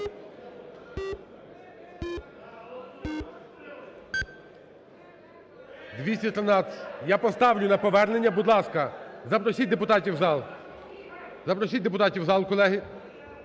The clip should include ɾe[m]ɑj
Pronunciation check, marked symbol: incorrect: n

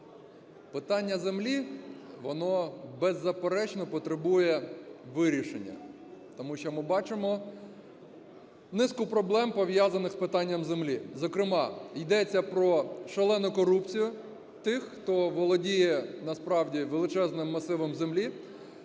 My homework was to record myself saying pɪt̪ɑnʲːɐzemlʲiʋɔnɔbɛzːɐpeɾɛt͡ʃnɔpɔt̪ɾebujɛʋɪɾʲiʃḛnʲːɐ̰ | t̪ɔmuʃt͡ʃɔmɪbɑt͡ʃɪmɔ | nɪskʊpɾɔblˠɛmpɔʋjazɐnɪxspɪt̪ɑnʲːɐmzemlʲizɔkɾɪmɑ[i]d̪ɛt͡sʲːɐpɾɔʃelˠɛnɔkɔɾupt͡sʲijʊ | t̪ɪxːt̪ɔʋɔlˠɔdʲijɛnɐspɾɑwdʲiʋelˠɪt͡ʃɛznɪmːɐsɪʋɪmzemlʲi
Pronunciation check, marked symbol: incorrect: j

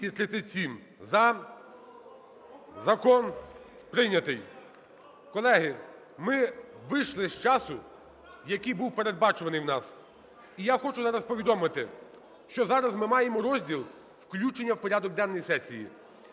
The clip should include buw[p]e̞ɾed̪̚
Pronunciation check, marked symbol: correct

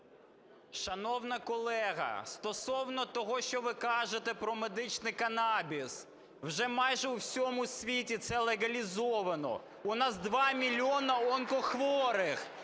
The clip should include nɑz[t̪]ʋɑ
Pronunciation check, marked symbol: incorrect: d̪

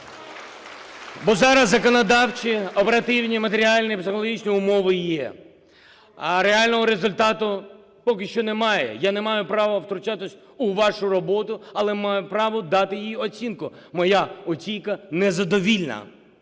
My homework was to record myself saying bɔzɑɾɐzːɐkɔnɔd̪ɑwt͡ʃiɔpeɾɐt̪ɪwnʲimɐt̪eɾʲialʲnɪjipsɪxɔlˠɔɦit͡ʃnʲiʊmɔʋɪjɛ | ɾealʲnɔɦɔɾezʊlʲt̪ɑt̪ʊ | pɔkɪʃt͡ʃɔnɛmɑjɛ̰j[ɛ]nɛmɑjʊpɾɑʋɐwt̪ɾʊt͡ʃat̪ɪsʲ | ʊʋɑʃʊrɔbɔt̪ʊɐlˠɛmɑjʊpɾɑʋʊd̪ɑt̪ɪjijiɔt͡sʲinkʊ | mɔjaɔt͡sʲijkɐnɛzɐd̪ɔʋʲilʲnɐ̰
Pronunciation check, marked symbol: incorrect: a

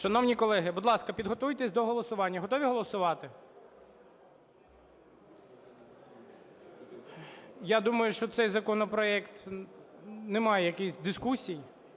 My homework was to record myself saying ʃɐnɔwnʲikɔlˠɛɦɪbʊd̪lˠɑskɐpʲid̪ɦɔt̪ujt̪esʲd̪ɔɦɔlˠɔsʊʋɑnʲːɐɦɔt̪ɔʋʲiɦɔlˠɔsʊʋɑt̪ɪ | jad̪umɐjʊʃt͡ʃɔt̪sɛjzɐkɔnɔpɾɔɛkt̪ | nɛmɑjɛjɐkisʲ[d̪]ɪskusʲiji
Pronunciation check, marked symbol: correct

